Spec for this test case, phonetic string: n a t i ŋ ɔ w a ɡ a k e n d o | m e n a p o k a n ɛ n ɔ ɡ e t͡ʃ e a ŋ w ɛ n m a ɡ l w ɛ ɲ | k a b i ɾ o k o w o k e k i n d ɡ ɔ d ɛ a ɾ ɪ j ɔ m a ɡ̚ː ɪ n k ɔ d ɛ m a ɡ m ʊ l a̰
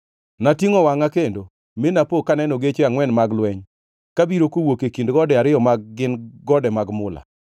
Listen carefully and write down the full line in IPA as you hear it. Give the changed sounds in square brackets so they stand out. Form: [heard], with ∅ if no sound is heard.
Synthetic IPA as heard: n a t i ŋ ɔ w a [ŋ] a k e n d o | m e n a p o k a n ɛ n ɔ ɡ e t͡ʃ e a ŋ w ɛ n m a ɡ l w ɛ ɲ | k a b i ɾ o k o w o k e k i n d ɡ ɔ d ɛ a ɾ ɪ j ɔ m a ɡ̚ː ɪ n [ɡ] ɔ d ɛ m a ɡ m ʊ l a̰